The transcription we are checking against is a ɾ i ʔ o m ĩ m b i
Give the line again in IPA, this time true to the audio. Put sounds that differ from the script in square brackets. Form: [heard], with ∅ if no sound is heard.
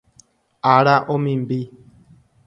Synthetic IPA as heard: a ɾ [a] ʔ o m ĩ m b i